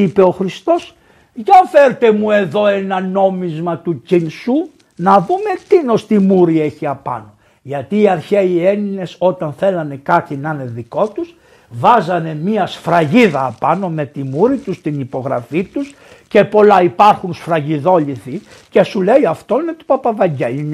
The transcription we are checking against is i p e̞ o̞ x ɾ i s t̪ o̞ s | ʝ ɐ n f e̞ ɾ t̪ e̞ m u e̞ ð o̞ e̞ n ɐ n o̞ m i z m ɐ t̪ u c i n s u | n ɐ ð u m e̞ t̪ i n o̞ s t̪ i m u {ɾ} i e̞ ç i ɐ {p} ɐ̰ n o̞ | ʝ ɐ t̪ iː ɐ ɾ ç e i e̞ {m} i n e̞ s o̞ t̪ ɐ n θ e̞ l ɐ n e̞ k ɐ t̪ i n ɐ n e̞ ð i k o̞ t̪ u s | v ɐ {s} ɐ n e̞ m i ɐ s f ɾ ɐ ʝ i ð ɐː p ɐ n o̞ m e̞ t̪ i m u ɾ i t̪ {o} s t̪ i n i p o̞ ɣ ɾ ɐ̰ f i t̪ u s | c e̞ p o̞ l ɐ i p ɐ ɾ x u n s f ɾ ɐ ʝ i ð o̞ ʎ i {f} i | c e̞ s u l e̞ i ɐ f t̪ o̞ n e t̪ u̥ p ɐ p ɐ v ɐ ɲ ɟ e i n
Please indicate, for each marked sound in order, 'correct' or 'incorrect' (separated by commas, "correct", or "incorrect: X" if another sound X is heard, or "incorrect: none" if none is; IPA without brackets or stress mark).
correct, correct, incorrect: n, incorrect: z, incorrect: u, incorrect: θ